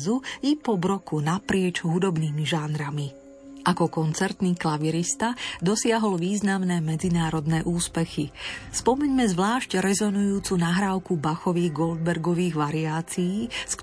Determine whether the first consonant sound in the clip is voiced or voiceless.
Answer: voiced